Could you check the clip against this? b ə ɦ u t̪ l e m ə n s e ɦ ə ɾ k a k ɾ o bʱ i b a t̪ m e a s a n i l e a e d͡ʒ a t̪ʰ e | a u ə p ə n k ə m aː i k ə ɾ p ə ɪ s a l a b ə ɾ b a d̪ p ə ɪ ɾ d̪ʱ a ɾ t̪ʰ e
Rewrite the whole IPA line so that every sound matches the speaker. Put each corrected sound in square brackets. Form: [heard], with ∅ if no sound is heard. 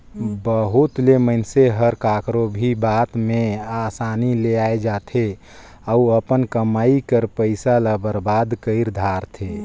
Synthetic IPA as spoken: b ə ɦ u t̪ l e m ə n s e ɦ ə ɾ k a k ɾ o bʱ i b a t̪ m e a s a n i l e a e d͡ʒ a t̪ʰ e | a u ə p ə n k ə m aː i k ə ɾ p ə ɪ s a l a b ə ɾ b a d̪ [k] ə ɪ ɾ d̪ʱ a ɾ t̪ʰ e